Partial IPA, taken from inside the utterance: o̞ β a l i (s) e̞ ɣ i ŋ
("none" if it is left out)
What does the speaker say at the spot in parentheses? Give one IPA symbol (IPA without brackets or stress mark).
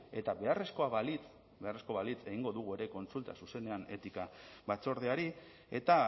t͡s